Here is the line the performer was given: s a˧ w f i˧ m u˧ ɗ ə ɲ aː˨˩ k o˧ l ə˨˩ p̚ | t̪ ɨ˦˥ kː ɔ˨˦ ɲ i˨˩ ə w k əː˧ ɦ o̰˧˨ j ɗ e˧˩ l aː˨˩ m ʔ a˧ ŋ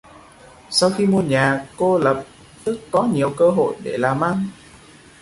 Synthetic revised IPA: s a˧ w x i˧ m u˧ ə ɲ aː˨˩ k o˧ l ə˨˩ p̚ | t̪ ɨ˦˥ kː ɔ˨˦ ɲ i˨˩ ə w k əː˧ ɦ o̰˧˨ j ɗ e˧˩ l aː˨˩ m ʔ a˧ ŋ